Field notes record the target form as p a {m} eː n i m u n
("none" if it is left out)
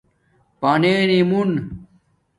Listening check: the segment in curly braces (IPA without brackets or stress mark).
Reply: n